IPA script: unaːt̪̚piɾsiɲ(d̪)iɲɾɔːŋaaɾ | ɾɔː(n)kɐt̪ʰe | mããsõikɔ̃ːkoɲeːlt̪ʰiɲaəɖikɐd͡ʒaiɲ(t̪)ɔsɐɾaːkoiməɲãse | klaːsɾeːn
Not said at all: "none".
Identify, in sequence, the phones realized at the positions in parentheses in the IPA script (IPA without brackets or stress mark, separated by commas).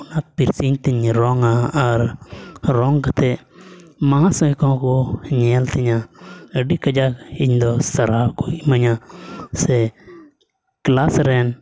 t̪, ŋ, d̪